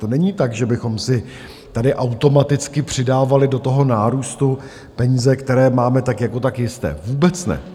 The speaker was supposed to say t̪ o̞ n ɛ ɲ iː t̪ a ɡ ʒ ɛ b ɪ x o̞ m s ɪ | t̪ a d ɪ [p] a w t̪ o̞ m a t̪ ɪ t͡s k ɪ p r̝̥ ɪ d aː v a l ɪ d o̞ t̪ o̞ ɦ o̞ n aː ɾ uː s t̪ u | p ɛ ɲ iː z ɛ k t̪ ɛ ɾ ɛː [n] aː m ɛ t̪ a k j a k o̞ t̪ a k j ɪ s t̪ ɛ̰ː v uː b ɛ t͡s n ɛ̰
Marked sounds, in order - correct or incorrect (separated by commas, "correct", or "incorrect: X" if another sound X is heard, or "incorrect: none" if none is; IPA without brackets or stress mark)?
incorrect: ʔ, incorrect: m